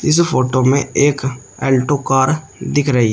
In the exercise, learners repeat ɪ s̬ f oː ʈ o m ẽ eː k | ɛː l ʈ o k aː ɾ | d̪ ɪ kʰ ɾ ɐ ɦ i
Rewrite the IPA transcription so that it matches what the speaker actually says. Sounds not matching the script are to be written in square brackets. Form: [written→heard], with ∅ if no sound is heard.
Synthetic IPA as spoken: ɪ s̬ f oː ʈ o m ẽ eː k | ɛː l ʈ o k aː ɾ | d̪ ɪ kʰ ɾ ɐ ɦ i